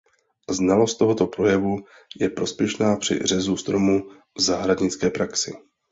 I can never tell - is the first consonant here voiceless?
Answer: no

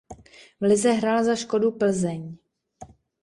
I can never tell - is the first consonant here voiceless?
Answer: no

